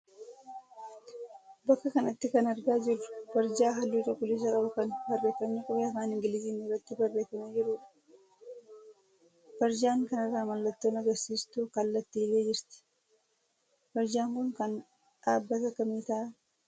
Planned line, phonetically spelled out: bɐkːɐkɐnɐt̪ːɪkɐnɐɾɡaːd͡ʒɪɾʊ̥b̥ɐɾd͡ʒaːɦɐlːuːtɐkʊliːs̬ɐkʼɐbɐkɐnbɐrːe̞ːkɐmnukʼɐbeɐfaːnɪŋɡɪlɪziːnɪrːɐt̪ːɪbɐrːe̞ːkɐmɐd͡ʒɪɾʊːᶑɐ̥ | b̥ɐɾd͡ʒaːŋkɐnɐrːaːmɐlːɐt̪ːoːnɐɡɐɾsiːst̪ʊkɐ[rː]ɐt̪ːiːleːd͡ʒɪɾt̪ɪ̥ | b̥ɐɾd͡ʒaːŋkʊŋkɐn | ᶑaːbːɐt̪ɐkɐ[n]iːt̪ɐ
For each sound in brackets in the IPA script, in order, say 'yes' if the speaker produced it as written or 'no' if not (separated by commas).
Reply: no, no